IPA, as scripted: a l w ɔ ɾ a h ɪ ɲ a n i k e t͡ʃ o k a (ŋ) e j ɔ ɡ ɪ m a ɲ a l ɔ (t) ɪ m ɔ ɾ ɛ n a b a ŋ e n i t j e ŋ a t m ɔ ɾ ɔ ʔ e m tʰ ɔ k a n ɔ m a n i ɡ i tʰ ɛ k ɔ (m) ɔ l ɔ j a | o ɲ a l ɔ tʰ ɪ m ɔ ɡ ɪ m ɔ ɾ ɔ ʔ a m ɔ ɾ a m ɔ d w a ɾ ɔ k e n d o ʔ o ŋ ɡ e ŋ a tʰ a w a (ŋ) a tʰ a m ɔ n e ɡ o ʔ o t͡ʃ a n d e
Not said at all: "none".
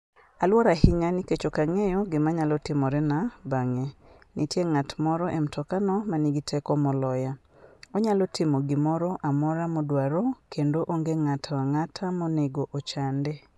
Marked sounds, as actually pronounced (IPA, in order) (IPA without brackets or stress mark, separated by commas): ŋ, t, m, ŋ